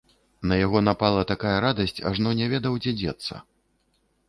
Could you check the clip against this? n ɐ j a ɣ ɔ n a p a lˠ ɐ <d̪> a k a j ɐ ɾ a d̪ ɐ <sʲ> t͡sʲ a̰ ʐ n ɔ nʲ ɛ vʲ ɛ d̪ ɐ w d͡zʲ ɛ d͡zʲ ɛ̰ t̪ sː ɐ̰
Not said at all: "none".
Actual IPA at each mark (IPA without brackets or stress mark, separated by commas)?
t̪, sʲ